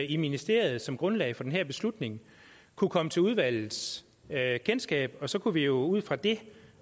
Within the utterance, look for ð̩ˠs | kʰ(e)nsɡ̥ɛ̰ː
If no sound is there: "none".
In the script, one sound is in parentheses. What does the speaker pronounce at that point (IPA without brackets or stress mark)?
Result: e